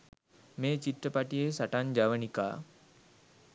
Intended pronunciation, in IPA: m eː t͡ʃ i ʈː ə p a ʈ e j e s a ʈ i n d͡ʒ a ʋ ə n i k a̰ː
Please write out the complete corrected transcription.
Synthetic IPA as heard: m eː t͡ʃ i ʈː ə p a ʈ i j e s a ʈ a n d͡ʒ a ʋ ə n i k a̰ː